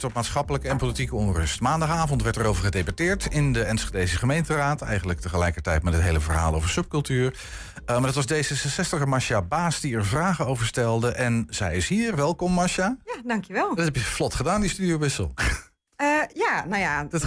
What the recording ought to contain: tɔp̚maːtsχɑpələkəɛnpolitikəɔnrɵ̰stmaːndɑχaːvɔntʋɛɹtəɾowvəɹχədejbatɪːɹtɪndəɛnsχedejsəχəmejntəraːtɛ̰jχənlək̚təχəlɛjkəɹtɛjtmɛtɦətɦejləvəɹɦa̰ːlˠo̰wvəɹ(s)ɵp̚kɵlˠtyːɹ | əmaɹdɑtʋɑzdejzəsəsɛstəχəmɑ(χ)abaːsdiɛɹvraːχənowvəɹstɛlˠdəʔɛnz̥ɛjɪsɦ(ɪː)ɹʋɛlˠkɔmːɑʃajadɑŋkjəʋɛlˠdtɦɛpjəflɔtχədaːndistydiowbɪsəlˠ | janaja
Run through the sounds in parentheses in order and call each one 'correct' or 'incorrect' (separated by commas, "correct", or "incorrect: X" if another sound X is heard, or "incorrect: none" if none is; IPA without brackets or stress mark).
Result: correct, incorrect: ʃ, incorrect: iː